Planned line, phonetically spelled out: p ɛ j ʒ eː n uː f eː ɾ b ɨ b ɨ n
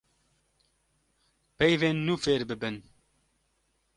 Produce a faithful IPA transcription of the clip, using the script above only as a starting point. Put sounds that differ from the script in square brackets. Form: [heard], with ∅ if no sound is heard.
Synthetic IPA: p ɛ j [v] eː [nː] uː f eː ɾ b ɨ b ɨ n